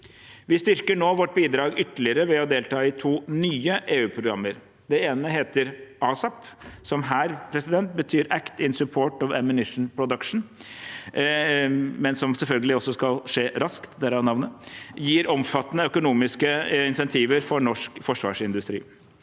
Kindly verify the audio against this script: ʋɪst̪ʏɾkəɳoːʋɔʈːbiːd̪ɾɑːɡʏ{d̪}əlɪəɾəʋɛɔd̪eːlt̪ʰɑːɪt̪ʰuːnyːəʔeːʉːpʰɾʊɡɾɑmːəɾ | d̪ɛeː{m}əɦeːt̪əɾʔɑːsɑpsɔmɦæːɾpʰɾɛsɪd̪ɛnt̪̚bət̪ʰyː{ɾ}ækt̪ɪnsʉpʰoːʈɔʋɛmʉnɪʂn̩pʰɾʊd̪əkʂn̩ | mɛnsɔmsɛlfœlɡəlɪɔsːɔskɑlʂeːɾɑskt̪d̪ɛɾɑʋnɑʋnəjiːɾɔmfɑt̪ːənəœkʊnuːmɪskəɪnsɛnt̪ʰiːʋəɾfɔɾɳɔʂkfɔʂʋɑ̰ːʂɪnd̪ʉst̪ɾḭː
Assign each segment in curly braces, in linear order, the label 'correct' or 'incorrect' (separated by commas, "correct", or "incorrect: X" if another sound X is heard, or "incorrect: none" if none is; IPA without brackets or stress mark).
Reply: incorrect: t̪, incorrect: n, correct